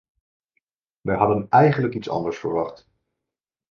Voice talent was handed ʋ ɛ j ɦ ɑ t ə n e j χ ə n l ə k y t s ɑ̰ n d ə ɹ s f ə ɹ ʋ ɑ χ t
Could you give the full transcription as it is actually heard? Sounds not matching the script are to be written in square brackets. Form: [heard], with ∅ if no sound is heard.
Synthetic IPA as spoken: ʋ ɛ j ɦ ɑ [d] ə n [ɛ] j χ ə n l ə k [i] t s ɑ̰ n d ə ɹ s f ə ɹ ʋ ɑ χ t